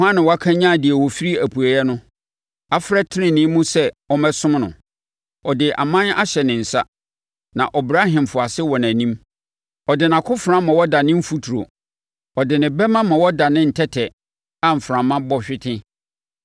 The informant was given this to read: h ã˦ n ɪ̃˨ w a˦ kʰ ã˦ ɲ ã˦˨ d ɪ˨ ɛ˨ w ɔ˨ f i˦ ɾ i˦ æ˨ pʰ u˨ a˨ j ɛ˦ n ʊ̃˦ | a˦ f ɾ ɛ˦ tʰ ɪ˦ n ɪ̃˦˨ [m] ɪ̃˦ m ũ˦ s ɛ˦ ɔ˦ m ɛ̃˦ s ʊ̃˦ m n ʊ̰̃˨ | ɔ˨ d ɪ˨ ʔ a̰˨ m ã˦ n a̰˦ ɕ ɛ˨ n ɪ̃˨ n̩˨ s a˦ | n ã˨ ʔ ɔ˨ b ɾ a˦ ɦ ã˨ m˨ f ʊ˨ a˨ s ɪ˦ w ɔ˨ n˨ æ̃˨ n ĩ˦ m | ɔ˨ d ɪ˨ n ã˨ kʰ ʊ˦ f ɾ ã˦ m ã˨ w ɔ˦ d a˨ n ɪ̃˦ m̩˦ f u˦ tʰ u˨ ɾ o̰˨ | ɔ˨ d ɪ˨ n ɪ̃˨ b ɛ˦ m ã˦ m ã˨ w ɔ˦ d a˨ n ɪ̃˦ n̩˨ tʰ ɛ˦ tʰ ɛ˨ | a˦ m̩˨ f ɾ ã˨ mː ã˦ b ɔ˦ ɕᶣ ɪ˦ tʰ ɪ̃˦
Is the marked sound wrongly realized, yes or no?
yes